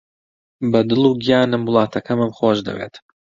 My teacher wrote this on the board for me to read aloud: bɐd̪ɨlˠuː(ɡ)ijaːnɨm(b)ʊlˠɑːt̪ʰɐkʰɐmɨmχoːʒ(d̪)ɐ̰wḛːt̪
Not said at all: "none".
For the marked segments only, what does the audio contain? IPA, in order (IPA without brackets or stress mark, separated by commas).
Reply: ɡ, w, d̪